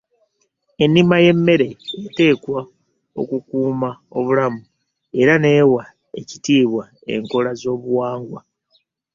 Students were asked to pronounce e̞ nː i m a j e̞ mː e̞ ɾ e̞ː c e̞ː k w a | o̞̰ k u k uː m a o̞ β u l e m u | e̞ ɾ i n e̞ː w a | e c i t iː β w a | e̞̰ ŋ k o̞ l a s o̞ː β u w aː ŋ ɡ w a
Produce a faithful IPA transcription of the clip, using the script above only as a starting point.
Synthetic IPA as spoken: e̞ nː i m a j e̞ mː e̞ ɾ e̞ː t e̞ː k w a | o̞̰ k u k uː m a o̞ β u l a m u | e̞ ɾ a n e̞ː w a | e c i t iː β w a | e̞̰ ŋ k o̞ l a z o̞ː β u w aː ŋ ɡ w a